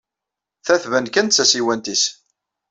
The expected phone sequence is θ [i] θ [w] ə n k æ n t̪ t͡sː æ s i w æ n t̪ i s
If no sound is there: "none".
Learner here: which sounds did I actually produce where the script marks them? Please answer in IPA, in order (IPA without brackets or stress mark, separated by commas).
æ, v